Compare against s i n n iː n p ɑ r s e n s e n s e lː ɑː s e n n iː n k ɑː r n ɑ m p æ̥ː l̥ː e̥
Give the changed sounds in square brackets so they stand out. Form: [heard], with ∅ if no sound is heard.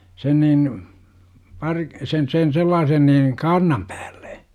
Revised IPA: s [e] n n iː n p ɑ r s e n s e n s e lː ɑː s e n n iː n k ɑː r n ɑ m p æ̥ː l̥ː e̥